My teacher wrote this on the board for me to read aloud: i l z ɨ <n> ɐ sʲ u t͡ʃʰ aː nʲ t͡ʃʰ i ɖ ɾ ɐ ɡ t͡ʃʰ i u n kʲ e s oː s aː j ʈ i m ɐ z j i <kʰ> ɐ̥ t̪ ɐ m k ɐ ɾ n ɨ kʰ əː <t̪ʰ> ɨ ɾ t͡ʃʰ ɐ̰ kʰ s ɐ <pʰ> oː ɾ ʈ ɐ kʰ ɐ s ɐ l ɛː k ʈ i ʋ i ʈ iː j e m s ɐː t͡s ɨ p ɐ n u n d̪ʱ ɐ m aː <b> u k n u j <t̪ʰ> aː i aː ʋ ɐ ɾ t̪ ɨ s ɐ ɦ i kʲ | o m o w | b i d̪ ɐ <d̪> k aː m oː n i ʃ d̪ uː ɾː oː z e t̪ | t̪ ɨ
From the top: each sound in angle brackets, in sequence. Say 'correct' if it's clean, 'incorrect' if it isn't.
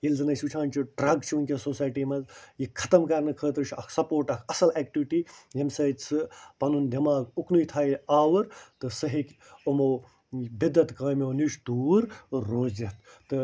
correct, correct, incorrect: t̪, incorrect: p, incorrect: ɡ, correct, incorrect: t̪

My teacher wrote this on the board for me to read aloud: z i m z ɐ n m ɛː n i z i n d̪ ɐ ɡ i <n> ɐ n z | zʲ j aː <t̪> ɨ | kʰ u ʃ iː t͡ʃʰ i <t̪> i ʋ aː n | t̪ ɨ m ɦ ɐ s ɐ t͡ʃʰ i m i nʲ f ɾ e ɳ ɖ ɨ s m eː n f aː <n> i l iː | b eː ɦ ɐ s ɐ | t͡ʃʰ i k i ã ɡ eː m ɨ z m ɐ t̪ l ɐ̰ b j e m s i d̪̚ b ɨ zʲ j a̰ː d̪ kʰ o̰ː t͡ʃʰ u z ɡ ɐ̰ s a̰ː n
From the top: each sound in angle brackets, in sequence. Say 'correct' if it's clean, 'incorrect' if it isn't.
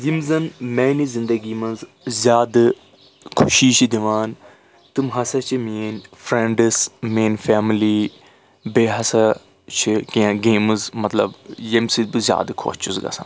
incorrect: m, incorrect: d̪, incorrect: d̪, incorrect: m

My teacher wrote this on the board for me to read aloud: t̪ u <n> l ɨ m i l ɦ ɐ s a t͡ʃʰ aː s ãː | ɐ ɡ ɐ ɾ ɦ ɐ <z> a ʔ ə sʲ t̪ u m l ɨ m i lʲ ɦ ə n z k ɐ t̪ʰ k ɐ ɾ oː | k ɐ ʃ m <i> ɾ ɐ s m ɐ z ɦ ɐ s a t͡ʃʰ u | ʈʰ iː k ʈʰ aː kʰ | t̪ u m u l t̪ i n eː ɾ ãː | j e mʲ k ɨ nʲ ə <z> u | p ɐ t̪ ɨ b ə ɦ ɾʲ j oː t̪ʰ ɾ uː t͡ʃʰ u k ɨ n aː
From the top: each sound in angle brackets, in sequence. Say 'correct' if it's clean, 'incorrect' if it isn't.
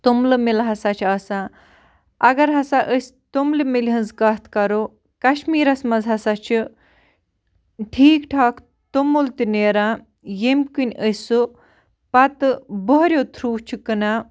incorrect: m, incorrect: s, incorrect: iː, incorrect: s

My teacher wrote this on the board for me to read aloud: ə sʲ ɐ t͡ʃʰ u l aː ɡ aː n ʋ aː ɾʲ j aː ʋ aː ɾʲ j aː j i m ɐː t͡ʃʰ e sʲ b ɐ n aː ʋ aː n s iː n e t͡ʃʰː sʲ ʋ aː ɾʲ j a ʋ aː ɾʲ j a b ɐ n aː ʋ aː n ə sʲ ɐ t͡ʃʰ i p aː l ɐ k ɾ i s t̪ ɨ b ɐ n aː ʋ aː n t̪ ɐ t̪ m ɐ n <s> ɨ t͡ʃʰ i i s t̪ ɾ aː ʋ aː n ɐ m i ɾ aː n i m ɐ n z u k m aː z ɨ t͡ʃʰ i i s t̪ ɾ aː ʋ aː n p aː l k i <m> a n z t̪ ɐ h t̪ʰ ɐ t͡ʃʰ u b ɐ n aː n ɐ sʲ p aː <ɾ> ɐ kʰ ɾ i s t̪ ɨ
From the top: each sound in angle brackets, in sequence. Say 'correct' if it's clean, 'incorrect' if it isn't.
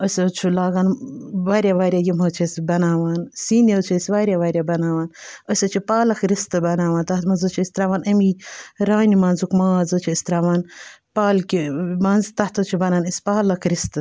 incorrect: z, correct, incorrect: l

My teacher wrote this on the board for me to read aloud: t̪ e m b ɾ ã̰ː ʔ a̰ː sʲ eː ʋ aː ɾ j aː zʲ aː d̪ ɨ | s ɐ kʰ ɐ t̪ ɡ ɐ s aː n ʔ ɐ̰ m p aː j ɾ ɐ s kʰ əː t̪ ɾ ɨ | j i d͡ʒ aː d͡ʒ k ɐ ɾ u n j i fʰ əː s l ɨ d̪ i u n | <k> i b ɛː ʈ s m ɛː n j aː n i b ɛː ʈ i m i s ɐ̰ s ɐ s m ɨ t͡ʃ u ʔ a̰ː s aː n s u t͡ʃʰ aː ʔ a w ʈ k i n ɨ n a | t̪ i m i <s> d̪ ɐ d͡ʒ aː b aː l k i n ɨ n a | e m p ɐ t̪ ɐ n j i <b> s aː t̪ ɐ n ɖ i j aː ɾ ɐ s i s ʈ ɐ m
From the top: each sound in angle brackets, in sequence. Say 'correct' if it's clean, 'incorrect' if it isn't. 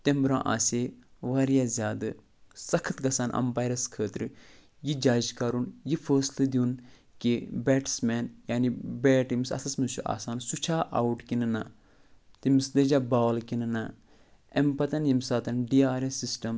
correct, correct, incorrect: m

